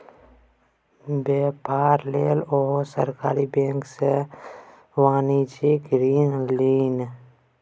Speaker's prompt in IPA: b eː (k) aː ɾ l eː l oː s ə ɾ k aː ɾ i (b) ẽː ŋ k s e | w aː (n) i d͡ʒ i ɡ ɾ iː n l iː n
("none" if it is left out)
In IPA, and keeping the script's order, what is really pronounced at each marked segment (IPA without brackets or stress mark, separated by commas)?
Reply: p, b, n